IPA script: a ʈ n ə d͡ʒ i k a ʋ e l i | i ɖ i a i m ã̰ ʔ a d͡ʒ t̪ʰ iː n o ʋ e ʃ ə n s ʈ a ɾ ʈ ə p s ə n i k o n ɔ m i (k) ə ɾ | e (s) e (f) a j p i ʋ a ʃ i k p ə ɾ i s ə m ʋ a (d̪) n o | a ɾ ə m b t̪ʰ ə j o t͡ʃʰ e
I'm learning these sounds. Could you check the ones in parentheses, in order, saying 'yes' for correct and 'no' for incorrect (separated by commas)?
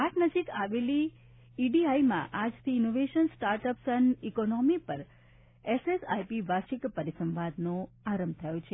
no, yes, no, yes